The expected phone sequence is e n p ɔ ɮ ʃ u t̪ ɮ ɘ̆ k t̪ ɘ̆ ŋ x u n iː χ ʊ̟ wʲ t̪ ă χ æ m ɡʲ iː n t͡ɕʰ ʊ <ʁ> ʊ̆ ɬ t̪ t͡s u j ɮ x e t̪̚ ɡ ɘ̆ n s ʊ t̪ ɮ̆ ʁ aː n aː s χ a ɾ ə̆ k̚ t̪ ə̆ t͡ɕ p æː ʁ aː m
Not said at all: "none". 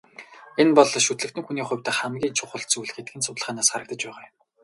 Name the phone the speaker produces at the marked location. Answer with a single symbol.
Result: χ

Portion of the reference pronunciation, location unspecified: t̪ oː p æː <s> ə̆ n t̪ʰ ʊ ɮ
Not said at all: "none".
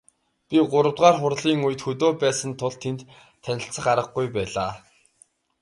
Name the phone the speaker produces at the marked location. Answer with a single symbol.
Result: s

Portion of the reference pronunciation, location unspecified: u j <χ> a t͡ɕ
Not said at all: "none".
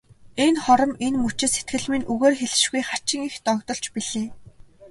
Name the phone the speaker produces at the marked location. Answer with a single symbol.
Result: χ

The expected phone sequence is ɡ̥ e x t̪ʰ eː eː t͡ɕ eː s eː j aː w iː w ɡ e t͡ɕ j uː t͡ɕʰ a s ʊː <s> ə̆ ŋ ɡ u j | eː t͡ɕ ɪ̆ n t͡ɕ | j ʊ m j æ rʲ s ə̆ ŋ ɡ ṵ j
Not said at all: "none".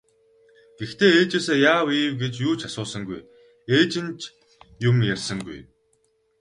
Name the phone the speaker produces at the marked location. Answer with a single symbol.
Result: s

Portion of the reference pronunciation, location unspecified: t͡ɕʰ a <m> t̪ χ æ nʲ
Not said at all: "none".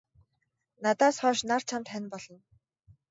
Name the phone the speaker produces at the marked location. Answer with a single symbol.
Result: m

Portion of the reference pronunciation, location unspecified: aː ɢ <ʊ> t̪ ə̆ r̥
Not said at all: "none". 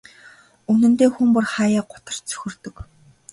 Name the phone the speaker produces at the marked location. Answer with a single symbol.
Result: ʊ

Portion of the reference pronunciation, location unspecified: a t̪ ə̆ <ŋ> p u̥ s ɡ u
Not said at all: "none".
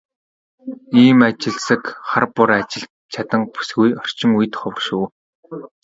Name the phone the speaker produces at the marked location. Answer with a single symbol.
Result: ŋ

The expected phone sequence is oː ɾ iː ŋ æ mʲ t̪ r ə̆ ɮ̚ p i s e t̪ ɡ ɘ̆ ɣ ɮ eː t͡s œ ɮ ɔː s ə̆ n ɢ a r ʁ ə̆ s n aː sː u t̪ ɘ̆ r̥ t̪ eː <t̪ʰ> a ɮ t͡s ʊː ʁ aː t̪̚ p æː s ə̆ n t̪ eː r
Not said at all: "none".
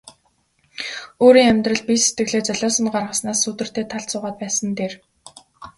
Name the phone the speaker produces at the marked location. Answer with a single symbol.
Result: t̪ʰ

